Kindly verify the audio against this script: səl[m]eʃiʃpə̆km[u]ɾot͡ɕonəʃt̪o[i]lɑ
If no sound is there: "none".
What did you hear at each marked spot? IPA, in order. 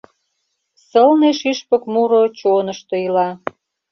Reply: n, u, i

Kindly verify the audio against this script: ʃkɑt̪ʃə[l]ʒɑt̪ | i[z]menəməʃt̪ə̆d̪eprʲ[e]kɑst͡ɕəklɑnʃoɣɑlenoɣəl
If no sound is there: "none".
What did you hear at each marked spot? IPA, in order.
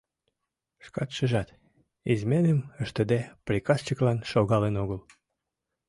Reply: none, z, i

